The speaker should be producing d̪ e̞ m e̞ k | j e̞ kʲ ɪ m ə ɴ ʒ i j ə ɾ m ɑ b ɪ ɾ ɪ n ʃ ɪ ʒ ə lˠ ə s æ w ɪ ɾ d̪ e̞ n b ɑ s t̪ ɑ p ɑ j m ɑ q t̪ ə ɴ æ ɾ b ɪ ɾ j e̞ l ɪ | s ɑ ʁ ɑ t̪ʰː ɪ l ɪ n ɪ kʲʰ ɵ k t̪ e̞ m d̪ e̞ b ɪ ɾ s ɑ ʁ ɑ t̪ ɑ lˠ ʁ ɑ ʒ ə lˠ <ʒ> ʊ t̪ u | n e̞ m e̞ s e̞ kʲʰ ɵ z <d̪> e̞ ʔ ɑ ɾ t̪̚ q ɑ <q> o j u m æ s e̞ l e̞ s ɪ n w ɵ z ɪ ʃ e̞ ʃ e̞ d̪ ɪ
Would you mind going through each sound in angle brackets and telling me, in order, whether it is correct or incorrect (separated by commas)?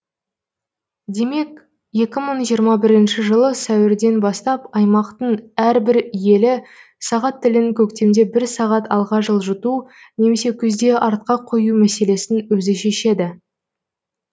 correct, correct, incorrect